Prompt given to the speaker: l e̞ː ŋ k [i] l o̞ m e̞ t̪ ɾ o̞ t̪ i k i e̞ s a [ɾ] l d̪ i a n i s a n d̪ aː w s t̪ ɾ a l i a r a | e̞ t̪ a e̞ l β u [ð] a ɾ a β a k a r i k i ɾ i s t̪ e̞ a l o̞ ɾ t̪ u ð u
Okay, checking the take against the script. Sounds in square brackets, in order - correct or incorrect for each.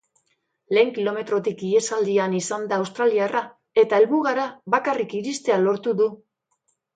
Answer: correct, incorrect: none, incorrect: ɣ

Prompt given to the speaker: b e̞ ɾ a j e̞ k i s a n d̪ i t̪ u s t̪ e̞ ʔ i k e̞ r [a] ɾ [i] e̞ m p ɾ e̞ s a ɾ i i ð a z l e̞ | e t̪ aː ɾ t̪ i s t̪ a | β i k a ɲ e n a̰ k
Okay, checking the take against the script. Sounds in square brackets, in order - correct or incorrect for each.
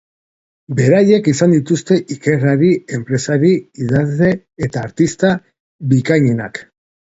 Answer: correct, correct

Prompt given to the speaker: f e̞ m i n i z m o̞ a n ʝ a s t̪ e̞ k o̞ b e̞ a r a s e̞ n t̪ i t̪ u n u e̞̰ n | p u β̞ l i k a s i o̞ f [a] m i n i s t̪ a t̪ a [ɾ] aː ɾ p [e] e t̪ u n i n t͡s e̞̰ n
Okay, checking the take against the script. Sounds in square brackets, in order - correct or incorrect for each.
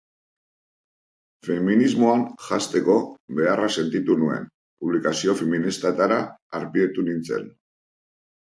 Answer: incorrect: e, correct, incorrect: i

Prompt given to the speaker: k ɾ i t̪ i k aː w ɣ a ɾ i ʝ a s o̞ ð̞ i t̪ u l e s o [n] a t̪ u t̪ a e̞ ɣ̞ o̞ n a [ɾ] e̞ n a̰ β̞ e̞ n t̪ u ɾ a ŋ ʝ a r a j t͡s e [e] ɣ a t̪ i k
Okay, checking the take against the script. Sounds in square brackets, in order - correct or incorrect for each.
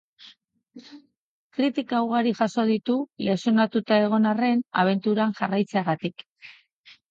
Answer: correct, incorrect: r, incorrect: a

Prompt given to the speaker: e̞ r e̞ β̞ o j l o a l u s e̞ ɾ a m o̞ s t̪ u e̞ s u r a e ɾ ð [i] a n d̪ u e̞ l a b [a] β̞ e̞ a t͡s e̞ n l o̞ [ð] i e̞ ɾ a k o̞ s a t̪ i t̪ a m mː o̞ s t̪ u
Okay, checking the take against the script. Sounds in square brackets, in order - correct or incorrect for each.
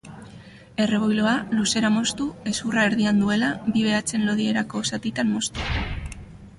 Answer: correct, incorrect: i, correct

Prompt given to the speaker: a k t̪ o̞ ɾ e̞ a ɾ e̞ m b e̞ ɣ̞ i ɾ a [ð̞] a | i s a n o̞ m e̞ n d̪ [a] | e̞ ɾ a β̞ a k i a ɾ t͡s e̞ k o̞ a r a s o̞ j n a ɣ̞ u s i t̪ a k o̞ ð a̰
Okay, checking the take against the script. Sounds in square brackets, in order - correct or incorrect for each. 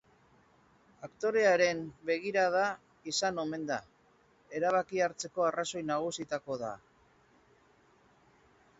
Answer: correct, correct

